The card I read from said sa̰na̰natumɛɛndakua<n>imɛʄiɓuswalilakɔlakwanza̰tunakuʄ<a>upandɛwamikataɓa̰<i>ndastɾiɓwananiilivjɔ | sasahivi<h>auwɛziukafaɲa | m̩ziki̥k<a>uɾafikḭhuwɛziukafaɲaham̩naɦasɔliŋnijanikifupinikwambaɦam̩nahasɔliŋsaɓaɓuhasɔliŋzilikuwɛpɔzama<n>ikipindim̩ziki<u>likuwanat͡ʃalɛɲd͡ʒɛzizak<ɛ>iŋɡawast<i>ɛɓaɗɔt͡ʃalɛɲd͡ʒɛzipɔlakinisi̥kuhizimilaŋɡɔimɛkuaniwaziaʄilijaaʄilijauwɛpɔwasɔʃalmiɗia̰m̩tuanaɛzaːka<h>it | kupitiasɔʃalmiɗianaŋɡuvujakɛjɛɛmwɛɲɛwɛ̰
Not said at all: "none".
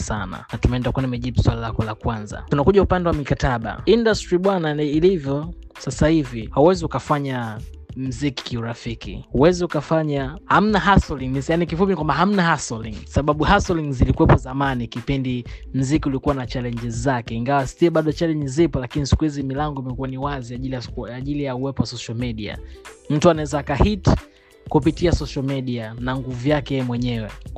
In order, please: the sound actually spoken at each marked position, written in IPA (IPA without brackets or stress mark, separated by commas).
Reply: n, a, i, h, i, n, u, ɛ, i, h